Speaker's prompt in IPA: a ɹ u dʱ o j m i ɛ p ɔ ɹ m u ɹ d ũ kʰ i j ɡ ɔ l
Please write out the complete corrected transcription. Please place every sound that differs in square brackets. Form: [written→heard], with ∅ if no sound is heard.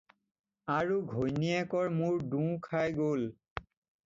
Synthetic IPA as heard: a ɹ u [dʱ→ɡʱ] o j [m→n] i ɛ [p→k] ɔ ɹ m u ɹ d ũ kʰ [i→a] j ɡ [ɔ→o] l